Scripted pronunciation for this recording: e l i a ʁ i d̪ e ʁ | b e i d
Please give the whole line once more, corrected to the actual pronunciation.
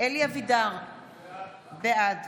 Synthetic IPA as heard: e l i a v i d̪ a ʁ | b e a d

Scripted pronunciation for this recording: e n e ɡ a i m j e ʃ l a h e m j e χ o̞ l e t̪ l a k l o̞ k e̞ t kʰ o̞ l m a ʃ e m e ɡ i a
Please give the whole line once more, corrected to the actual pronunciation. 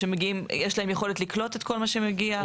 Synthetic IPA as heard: e m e ɡ i i m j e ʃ l a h e m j e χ o̞ l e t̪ l i k l o̞ t e̞ t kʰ o̞ l m a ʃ e m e ɡ i a

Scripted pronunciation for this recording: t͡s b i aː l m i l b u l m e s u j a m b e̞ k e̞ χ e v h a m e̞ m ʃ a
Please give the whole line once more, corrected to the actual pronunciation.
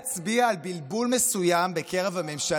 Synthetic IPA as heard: t͡s b i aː l b i l b u l m e s u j a m b e̞ k e̞ ʁ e v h a m e̞ m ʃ a

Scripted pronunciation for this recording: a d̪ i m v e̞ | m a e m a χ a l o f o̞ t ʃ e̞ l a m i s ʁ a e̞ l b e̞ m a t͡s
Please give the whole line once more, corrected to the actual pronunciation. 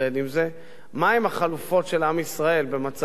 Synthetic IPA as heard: e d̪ i m z e̞ | m a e m a χ a l u f o̞ t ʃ e̞ l a m i s ʁ a e̞ l b e̞ m a t͡s

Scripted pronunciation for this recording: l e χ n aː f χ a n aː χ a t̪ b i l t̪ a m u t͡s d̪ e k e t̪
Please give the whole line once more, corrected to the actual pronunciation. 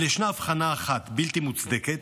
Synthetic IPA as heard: l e ʃ n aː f χ a n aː χ a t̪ b i l t̪ i m u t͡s d̪ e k e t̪

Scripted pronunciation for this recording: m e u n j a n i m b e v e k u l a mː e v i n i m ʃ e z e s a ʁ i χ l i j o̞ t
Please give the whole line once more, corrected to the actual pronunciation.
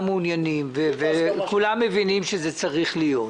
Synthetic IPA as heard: m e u n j a n i m v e v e k u l a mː e v i n i m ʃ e z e t͡s a ʁ i χ l i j o̞ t

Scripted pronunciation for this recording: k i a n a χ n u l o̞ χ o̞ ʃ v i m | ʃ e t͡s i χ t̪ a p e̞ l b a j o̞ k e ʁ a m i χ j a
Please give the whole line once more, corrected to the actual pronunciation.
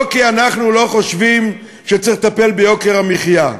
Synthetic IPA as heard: k i a n a χ n u l o̞ χ o̞ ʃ v i m | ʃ e t͡s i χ t̪ a p e̞ l b e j o̞ k e ʁ a m i χ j a

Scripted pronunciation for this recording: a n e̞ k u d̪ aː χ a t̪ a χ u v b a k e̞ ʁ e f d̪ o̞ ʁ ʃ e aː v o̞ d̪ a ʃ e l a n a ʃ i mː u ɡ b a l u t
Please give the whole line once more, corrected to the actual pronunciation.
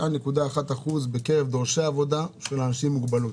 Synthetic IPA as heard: a n e̞ k u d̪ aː χ a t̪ a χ u z b e k e̞ ʁ e v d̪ o̞ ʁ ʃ e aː v o̞ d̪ a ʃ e l a n a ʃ i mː u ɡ b a l u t

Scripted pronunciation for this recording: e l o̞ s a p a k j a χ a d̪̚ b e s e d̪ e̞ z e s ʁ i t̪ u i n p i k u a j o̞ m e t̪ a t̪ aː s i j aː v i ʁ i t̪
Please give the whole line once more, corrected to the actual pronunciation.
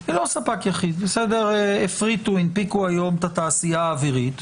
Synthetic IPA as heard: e l o̞ s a p a k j a χ i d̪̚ b e s e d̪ e̞ ʁ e f ʁ i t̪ u i n p i k u a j o̞ m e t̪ a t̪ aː s i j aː v i ʁ i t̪

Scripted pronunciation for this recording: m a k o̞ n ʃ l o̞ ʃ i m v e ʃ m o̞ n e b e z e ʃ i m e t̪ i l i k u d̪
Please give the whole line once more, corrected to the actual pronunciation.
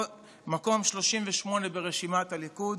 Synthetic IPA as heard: m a k o̞ m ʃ l o̞ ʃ i m v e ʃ m o̞ n e b e ʁ e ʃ i m a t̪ a l i k u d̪

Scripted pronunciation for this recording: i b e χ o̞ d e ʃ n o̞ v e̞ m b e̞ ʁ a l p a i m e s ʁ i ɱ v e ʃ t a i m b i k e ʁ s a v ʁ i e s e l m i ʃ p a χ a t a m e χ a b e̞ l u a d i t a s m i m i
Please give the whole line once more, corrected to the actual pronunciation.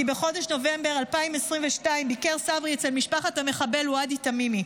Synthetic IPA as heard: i b e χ o̞ d e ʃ n o̞ v e̞ m b e̞ ʁ a l p a i m e s ʁ i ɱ v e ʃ t a i m b i k e ʁ s a v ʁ i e t͡s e l m i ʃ p a χ a t a m e χ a b e̞ l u a d i t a m i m i

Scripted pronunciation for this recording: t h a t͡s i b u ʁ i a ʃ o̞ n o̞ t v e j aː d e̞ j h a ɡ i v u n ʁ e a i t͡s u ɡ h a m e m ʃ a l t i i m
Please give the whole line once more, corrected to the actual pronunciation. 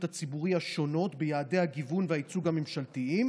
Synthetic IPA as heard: t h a t͡s i b u ʁ i a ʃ o̞ n o̞ t b e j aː d e̞ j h a ɡ i v u n v e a i t͡s u ɡ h a m e m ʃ a l t i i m

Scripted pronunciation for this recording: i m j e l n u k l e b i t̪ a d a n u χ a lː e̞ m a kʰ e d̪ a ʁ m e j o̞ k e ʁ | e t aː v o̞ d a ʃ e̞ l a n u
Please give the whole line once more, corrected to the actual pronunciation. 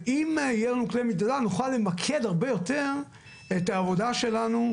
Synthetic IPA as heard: i m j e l n u k l e m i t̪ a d a n u χ a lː e̞ m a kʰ e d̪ a ʁ b e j o̞ t e ʁ | e t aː v o̞ d a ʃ e̞ l a n u

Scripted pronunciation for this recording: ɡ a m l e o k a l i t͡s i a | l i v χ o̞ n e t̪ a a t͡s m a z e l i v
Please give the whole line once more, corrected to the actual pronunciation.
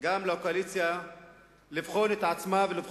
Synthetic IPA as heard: ɡ a m l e o k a l i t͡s j a | l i v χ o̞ n e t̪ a a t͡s m a v e l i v

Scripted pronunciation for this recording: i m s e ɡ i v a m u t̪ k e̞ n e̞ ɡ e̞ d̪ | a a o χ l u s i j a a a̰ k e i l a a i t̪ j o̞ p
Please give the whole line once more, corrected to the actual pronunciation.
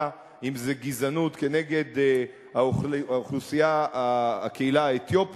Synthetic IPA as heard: i m z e ɡ i z a n u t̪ k e̞ n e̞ ɡ e̞ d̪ | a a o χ l u s i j a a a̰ k e i l a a e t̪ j o̞ p

